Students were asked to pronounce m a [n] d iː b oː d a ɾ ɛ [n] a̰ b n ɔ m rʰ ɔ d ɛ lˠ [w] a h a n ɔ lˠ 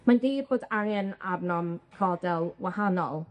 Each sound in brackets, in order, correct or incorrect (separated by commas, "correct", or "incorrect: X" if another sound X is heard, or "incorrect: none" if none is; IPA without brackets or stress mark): correct, correct, correct